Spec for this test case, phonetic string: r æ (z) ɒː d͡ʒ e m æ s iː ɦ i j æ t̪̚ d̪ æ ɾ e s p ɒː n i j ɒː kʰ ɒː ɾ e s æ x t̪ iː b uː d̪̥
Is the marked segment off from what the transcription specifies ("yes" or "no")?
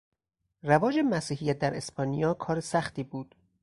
yes